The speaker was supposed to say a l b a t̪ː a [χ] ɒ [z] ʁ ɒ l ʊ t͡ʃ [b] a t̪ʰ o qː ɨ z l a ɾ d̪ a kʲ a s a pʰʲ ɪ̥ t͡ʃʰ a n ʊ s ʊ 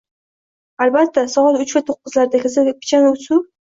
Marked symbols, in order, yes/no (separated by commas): no, no, no